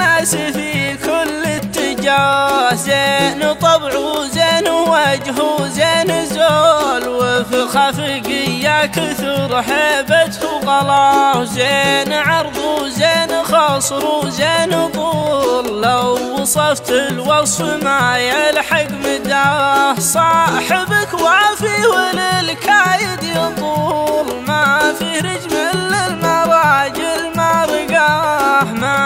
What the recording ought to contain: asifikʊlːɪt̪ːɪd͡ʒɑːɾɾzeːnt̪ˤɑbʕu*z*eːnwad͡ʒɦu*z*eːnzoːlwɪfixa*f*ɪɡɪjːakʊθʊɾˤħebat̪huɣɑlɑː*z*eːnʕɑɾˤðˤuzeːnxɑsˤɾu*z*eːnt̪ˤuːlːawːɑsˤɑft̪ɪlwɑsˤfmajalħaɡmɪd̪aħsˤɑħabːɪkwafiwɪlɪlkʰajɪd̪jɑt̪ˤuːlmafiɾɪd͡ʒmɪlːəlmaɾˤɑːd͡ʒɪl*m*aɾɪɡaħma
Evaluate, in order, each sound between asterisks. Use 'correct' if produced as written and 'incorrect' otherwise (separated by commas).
correct, correct, correct, correct, correct, correct